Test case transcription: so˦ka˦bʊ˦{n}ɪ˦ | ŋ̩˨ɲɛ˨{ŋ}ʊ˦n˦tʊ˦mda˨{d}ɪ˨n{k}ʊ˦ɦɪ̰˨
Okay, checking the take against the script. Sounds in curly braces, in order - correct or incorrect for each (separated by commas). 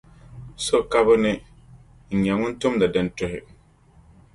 correct, correct, correct, incorrect